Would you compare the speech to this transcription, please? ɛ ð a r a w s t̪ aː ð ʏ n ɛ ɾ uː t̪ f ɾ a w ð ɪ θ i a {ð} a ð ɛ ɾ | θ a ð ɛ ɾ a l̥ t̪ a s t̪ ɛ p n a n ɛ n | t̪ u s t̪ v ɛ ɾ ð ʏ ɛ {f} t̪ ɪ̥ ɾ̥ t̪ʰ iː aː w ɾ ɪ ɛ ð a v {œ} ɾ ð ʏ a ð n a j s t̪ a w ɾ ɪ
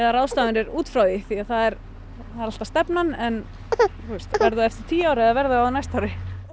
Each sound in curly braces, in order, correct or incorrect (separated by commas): incorrect, correct, incorrect